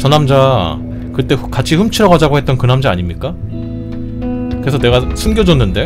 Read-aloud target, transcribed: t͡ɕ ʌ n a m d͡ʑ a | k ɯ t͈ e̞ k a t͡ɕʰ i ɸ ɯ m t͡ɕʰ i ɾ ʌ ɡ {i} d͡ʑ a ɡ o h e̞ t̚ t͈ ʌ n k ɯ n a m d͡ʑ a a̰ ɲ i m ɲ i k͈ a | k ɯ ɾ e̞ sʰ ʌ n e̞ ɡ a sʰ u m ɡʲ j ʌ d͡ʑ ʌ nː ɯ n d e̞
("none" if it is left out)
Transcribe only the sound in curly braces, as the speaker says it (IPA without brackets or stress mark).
a